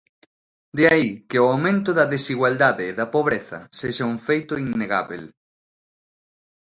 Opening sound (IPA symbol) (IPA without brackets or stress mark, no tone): d̪